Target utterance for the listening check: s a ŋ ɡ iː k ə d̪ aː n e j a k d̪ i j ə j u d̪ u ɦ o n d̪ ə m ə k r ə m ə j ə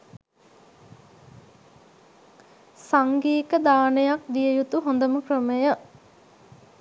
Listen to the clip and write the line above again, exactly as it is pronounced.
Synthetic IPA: s a ŋ ɡ iː k ə d̪ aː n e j a k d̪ i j ə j u t̪ u ɦ o n d̪ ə m ə k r ə m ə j ə